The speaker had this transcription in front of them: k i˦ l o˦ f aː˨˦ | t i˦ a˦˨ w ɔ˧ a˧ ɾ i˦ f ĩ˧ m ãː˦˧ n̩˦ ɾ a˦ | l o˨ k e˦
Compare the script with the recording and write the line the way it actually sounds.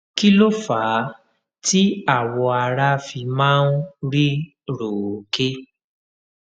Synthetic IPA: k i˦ l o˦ f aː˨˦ | t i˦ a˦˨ w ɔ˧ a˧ ɾ a˦ f i˧ m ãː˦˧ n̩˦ ɾ i˦ | ɾ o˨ k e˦